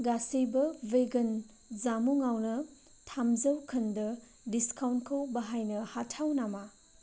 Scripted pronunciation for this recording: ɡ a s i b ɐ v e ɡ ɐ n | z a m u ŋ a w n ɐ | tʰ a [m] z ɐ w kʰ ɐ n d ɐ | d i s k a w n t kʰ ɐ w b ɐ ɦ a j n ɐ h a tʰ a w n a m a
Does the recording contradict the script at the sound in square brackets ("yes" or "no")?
no